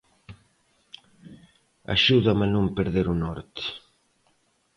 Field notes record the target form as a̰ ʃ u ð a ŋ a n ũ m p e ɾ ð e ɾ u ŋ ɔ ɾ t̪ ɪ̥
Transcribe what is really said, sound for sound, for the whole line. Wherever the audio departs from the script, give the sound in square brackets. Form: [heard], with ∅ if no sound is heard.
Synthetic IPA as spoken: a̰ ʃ u ð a [m] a n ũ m p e ɾ ð e ɾ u [n] ɔ ɾ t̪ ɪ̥